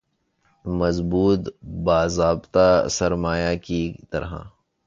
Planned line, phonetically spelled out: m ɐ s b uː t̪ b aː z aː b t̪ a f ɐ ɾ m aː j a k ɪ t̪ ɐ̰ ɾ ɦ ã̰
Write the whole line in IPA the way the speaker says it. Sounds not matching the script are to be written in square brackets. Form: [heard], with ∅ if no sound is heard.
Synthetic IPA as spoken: m ɐ [z] b uː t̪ b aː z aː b t̪ a [s] ɐ ɾ m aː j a k [i] t̪ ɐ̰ ɾ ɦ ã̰